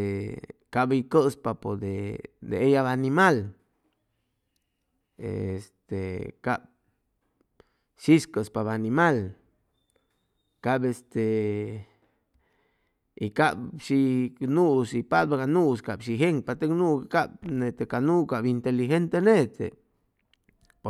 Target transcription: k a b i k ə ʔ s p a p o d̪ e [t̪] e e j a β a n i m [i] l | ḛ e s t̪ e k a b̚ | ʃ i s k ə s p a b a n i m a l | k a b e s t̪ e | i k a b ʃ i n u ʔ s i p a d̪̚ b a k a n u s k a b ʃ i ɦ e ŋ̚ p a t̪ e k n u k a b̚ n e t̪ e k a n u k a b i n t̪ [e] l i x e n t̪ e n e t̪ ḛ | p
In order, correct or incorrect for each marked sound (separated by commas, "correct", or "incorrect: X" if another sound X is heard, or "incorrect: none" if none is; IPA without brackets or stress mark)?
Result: incorrect: d̪, incorrect: a, correct